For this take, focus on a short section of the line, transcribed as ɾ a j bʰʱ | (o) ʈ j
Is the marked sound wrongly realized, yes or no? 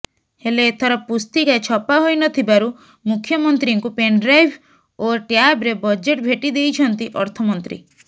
no